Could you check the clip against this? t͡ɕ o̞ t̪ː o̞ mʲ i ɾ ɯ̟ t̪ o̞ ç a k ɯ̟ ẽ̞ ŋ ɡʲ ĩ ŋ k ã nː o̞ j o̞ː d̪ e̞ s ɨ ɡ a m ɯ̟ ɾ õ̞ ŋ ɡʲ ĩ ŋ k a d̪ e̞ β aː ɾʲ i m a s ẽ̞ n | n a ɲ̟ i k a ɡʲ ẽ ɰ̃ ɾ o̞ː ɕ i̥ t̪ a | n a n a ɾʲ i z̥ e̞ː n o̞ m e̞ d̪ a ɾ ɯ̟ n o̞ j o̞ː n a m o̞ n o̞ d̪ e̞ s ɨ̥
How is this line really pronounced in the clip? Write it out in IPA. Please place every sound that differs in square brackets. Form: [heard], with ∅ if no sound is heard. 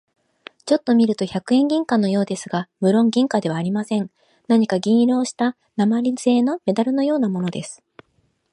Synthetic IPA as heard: t͡ɕ o̞ t̪ː o̞ mʲ i ɾ ɯ̟ t̪ o̞ ç a k ɯ̟ ẽ̞ ŋ ɡʲ ĩ ŋ k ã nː o̞ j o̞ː d̪ e̞ s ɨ ɡ a m ɯ̟ ɾ õ̞ ŋ ɡʲ ĩ ŋ k a d̪ e̞ β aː ɾʲ i m a s ẽ̞ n | n a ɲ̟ i k a ɡʲ [ĩ] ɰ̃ ɾ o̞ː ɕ i̥ t̪ a | n a [m] a ɾʲ i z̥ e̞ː n o̞ m e̞ d̪ a ɾ ɯ̟ n o̞ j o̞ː n a m o̞ n o̞ d̪ e̞ s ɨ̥